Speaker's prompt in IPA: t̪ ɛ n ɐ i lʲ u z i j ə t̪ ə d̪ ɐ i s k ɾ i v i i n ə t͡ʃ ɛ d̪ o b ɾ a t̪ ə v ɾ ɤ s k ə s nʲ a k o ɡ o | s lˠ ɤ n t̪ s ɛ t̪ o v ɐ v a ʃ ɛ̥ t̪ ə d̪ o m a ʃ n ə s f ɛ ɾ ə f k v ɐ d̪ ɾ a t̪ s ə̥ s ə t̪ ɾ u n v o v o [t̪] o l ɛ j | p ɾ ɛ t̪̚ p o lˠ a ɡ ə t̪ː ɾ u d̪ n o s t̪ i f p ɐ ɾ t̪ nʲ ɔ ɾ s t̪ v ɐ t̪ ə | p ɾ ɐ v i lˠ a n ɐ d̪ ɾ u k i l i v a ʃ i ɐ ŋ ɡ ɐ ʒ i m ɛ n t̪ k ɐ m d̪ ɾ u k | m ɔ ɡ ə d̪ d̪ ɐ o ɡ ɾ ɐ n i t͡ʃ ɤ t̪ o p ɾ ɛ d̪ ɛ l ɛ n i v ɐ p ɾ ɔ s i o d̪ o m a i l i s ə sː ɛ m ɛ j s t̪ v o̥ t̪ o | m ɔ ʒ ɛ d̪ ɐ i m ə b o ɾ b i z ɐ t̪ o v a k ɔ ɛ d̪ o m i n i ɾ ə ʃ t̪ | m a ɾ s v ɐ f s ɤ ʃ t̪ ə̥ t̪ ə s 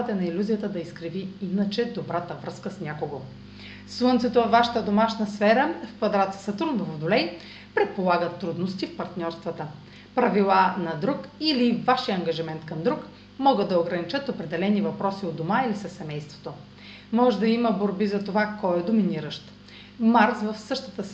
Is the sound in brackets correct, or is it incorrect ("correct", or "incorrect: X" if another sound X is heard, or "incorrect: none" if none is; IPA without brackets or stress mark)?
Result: incorrect: d̪